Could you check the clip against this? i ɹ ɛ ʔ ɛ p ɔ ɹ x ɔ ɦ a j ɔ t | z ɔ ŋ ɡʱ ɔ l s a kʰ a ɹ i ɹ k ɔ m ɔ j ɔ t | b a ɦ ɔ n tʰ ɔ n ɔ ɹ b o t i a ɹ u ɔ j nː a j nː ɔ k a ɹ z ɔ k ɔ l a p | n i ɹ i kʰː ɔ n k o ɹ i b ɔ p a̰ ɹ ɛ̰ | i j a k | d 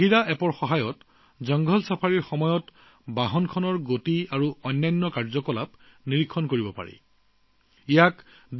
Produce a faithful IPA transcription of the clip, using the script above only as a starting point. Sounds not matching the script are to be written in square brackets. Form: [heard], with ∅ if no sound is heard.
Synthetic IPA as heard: i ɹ [a] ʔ ɛ p ɔ ɹ x ɔ ɦ a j ɔ t | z ɔ ŋ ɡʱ ɔ l s a [pʰ] a ɹ i ɹ [x] ɔ m ɔ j ɔ t | b a ɦ ɔ n [kʰ] ɔ n ɔ ɹ [ɡ] o t i a ɹ u ɔ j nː a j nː ɔ k a ɹ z ɔ k ɔ l a p | n i ɹ i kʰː ɔ n k o ɹ i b ɔ p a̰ ɹ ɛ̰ | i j a k | d